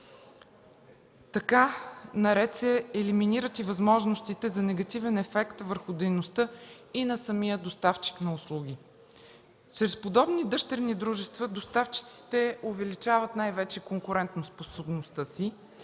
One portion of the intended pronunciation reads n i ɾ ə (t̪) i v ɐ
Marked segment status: correct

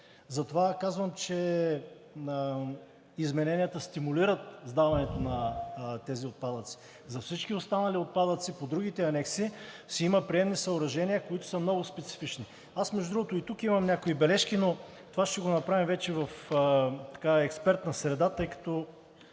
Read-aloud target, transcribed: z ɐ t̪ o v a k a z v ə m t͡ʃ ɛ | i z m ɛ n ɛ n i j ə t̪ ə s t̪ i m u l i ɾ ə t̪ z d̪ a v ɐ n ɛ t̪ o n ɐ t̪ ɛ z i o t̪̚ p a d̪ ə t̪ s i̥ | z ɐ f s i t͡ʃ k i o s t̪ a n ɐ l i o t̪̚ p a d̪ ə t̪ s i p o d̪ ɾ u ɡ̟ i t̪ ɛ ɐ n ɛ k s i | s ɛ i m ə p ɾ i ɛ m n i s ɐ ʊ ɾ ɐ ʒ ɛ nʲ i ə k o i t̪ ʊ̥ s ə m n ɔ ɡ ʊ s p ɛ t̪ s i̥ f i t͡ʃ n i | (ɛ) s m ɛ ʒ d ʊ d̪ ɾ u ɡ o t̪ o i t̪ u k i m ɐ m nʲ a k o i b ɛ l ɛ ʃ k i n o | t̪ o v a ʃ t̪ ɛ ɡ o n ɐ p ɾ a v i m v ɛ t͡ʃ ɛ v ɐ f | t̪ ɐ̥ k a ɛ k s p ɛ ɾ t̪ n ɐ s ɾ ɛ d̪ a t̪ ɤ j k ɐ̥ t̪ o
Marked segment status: incorrect: a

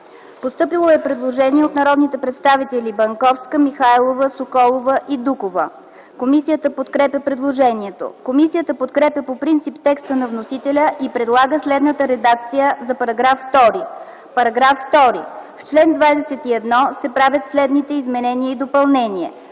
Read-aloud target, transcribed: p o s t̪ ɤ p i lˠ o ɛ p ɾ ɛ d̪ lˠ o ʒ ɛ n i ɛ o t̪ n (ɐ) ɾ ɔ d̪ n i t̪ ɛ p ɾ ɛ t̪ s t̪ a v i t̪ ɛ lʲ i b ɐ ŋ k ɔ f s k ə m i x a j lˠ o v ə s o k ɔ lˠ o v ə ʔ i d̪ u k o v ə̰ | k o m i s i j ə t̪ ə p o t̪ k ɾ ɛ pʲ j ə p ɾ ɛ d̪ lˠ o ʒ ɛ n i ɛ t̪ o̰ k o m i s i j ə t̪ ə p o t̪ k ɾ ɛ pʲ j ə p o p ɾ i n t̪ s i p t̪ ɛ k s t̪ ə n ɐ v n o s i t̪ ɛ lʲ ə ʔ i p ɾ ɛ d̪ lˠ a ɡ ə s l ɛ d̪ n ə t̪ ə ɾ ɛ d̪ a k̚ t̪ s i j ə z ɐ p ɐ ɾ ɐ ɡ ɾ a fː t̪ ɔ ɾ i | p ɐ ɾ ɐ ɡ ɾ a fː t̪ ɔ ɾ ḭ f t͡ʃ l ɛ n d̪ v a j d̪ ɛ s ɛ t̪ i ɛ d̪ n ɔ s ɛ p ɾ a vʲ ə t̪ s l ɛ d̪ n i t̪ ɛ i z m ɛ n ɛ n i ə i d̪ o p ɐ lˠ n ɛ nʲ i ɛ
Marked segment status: correct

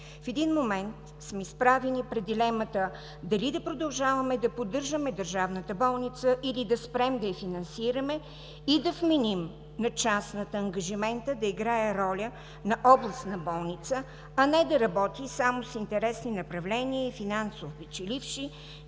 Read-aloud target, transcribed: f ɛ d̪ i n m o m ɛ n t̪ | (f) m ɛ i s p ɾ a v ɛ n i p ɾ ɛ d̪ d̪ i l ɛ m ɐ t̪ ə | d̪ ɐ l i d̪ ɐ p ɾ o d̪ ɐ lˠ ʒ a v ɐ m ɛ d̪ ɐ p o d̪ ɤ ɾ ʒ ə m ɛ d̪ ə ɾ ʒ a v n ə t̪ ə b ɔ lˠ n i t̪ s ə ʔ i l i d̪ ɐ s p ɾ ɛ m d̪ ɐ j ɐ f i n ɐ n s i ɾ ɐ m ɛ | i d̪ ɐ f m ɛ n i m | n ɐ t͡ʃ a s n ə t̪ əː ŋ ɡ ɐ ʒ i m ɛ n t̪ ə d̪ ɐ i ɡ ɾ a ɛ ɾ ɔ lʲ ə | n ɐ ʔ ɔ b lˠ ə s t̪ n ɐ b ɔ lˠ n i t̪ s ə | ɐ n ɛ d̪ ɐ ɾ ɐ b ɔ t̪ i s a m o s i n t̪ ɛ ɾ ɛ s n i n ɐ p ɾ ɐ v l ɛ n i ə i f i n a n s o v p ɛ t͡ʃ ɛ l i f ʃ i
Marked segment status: incorrect: s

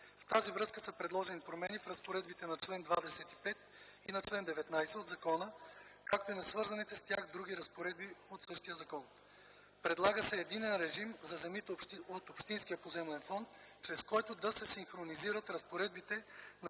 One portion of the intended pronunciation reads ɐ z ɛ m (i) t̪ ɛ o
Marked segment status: correct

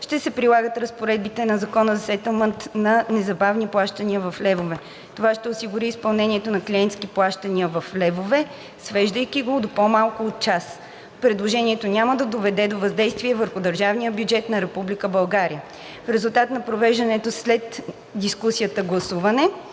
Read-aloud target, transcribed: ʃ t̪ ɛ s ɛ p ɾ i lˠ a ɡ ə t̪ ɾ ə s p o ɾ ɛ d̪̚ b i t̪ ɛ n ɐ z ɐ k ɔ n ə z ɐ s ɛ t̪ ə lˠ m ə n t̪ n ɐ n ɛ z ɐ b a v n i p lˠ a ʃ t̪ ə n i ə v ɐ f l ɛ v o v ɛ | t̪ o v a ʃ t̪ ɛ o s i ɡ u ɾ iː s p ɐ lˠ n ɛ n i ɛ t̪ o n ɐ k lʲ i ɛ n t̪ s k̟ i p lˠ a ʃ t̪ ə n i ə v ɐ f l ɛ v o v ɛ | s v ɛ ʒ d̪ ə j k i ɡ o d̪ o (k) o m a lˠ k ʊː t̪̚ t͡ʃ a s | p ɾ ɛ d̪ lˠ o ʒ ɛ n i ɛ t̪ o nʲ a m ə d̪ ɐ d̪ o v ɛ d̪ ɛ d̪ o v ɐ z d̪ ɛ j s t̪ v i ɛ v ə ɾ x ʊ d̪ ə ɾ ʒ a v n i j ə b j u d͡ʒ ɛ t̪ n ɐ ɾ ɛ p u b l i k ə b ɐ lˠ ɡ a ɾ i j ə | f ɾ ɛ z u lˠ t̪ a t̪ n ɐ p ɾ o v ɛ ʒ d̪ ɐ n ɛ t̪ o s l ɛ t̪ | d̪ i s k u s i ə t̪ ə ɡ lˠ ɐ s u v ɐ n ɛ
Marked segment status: incorrect: p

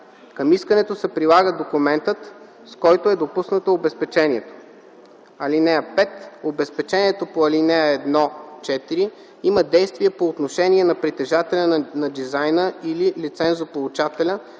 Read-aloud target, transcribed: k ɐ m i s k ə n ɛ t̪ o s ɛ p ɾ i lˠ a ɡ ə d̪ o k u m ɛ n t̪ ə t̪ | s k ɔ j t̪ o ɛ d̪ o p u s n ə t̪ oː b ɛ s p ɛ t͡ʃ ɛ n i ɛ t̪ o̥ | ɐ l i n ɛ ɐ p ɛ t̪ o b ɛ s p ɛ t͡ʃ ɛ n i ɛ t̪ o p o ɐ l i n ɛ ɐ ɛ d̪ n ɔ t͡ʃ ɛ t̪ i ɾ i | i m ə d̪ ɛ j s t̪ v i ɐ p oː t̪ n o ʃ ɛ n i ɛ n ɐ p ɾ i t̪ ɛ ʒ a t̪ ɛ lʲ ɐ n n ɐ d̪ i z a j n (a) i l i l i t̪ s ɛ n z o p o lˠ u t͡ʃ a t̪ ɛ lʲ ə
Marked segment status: incorrect: ə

